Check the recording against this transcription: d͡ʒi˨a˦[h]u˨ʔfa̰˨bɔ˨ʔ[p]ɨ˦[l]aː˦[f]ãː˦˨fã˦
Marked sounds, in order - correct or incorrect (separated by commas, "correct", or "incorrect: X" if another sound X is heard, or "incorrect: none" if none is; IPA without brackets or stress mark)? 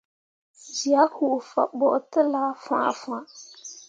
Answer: correct, incorrect: t, correct, correct